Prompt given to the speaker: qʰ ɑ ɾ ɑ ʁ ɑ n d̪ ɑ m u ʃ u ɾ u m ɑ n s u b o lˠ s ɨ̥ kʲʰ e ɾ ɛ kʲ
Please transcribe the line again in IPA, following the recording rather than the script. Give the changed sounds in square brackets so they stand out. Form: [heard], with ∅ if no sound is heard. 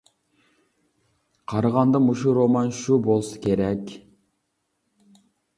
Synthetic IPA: qʰ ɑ ɾ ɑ ʁ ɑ n d̪ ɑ m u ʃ u ɾ [o] m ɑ n [ʃ] u b o lˠ s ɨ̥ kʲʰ e ɾ ɛ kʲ